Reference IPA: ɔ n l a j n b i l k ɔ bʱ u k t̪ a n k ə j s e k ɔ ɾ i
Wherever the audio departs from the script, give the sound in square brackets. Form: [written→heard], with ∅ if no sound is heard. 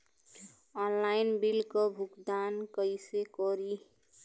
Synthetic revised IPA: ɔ n l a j n b i l k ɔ bʱ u k [t̪→d̪] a n k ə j s e k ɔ ɾ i